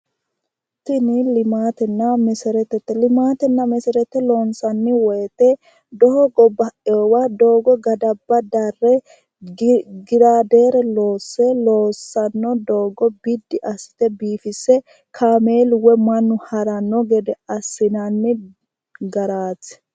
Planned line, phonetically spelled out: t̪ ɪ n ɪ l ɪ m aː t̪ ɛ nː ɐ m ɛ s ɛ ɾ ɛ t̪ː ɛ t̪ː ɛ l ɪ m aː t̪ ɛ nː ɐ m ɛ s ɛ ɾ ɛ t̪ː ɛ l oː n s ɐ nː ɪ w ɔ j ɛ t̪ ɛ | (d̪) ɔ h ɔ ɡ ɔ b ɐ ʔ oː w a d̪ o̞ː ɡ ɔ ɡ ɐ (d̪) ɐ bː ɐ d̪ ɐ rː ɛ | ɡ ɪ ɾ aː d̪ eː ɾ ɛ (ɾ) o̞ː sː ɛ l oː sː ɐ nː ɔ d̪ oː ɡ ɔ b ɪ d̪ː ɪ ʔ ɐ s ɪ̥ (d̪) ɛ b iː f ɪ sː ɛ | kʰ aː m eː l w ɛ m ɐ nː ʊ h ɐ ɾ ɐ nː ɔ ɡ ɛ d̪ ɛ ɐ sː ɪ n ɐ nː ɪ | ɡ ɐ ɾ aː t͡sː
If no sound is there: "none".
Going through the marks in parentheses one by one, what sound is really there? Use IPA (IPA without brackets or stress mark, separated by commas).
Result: d̪, d̪, l, t̪